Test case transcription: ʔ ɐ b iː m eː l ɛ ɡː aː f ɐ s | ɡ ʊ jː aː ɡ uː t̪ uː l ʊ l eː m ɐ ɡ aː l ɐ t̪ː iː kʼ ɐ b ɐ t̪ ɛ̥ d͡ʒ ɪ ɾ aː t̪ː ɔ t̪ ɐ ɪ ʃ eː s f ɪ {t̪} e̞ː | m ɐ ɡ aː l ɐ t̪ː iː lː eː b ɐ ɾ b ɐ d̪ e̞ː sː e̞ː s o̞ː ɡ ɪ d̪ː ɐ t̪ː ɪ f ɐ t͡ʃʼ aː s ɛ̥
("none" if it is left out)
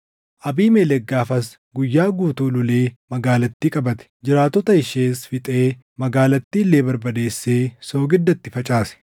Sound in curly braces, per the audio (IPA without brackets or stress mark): t̪ʼ